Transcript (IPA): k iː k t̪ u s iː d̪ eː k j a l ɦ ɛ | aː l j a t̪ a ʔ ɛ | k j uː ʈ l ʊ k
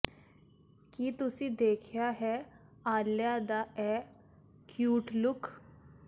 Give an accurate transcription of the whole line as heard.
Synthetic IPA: k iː t̪ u s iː d̪ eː kʰ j a ɦ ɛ | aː l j a d̪ a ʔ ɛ | k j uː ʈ l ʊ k